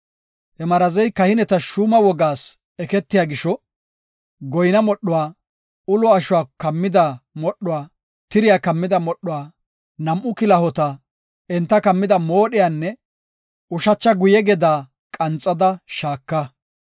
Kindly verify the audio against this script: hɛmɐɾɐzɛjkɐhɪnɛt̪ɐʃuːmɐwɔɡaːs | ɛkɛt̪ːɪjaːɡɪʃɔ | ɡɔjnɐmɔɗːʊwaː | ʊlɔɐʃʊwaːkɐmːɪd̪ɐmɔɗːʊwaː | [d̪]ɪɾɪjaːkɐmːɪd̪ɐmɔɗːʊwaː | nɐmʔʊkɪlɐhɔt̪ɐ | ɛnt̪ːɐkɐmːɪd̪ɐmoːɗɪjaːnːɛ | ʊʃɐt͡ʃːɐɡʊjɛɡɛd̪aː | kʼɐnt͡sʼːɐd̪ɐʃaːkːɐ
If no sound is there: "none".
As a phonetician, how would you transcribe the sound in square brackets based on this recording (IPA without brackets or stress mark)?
t̪